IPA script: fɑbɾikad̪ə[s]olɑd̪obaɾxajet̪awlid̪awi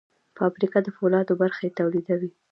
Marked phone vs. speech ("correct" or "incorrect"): incorrect